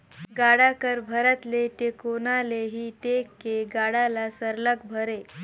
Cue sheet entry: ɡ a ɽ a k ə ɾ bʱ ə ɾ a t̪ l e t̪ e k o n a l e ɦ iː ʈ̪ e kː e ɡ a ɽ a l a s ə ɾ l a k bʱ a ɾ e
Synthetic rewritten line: ɡ a ɽ a k ə ɾ bʱ ə ɾ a t̪ l e t̪ e k o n a l e ɦ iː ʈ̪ e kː e ɡ a ɽ a l a s ə ɾ l ə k bʱ ə ɾ e